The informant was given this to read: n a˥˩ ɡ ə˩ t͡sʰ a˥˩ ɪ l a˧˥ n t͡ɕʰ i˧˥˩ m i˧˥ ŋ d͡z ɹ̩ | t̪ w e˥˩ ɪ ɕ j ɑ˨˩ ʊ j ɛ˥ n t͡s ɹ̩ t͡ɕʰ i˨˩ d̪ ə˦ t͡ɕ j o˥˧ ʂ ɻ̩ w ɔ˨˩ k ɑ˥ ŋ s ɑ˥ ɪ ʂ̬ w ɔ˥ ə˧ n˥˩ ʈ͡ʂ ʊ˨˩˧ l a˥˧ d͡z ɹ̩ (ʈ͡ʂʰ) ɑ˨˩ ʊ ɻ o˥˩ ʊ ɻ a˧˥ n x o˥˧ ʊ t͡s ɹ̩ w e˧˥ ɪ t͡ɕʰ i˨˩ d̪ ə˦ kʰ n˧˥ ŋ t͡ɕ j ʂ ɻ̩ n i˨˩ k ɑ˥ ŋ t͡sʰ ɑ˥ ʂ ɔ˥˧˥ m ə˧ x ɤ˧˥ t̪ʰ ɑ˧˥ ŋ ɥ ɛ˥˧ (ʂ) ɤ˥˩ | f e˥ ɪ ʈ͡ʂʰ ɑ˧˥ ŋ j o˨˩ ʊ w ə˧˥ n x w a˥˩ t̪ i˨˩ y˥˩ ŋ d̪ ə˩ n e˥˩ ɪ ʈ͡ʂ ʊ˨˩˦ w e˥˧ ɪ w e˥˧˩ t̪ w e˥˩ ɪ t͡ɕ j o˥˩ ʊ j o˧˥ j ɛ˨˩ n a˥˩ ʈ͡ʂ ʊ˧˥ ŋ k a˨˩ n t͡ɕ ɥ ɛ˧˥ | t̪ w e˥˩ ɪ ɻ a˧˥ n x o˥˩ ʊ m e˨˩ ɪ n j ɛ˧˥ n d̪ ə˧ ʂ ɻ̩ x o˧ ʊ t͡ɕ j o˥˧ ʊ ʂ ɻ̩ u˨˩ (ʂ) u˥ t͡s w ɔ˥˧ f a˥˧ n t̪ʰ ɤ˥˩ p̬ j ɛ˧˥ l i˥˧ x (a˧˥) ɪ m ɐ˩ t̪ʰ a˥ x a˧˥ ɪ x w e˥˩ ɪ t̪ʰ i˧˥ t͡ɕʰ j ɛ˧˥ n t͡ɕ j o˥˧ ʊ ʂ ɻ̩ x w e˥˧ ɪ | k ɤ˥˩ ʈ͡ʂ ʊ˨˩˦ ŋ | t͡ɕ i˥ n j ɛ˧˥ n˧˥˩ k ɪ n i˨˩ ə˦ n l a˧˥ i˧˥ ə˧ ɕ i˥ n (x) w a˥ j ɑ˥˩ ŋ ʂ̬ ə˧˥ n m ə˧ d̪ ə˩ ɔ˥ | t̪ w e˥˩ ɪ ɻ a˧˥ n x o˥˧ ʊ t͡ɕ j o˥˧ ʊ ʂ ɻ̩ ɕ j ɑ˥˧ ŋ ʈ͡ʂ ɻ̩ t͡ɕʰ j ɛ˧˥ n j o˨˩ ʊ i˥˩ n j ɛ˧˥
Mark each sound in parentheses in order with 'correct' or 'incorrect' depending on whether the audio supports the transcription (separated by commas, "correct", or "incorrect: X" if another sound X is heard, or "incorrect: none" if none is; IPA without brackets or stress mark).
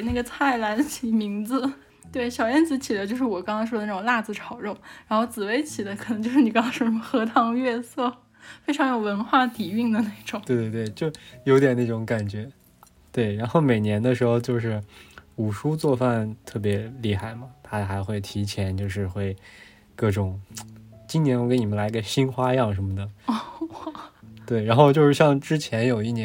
correct, incorrect: s, correct, incorrect: a˥˩, correct